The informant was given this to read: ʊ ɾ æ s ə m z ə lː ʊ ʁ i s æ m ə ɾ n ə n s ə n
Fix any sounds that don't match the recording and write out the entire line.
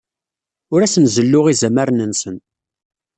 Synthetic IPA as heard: ʊ ɾ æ s ə n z ə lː ʊ ʁ i z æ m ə ɾ n ə n s ə n

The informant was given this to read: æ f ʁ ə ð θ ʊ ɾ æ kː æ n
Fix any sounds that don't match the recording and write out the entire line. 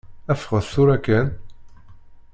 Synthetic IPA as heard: æ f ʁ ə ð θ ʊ ɾ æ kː æ n

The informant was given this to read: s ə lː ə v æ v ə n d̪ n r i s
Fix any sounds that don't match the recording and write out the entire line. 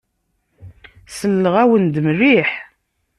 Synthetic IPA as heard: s ə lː ə ʁ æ w ə n d̪ m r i ħ

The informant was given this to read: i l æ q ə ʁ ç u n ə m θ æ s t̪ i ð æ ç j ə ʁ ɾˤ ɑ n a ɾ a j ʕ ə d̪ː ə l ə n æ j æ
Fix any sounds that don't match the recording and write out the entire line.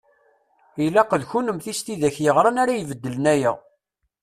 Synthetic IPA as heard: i l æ q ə ð ç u n ə m θ i s t̪ i ð æ ç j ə ʁ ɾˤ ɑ n a ɾ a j v ə d̪ː ə l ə n æ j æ

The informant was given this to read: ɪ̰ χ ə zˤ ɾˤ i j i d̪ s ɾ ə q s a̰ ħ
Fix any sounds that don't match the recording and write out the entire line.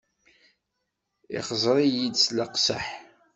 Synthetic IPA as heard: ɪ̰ χ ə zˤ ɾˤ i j i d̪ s l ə q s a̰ ħ

